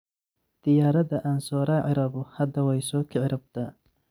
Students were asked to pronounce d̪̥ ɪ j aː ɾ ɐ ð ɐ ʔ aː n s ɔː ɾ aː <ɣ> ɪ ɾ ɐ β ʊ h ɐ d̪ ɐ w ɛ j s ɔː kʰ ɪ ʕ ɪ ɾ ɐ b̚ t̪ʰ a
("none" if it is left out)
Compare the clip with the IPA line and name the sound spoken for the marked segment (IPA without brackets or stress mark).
ʕ